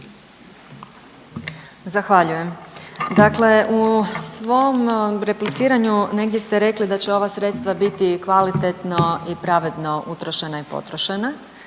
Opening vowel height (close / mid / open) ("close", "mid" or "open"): open